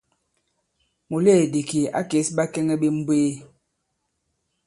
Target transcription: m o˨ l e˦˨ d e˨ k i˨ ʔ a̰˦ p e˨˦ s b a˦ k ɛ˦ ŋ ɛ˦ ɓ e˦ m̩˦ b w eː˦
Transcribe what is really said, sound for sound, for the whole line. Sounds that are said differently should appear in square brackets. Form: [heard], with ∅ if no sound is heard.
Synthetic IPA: m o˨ l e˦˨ d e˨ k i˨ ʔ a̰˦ [k] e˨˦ s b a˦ k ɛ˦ ŋ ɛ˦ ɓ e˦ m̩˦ b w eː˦